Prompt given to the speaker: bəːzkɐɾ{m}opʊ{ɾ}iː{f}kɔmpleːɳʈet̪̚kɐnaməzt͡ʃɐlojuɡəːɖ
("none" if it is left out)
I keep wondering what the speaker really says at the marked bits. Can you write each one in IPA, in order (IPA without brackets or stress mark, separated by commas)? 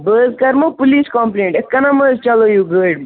m, l, s